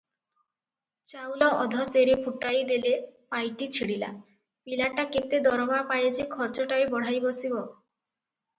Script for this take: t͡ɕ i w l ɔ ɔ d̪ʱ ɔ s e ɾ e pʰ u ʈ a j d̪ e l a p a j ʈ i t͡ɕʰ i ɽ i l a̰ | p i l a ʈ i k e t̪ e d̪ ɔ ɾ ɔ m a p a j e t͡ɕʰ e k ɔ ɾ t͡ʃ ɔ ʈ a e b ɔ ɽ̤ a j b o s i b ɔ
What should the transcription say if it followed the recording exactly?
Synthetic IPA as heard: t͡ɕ a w l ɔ ɔ d̪ʱ ɔ s e ɾ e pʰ u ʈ a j d̪ e l e p a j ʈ i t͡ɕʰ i ɽ i l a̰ | p i l a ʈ a k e t̪ e d̪ ɔ ɾ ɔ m a p a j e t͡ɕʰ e kʰ ɔ ɾ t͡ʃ ɔ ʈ a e b ɔ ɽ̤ a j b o s i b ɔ